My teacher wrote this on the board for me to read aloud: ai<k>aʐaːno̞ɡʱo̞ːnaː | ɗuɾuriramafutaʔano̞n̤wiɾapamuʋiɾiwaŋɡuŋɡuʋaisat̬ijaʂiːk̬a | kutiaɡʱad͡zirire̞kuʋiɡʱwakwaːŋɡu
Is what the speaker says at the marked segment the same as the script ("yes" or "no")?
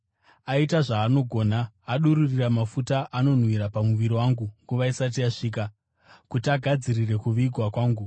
no